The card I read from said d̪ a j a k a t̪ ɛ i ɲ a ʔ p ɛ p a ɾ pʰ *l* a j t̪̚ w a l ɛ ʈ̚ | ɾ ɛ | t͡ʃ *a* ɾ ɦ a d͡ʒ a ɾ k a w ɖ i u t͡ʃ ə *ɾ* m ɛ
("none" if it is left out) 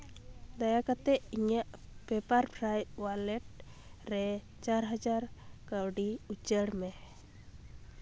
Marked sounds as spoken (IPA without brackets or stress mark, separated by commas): ɾ, a, ɽ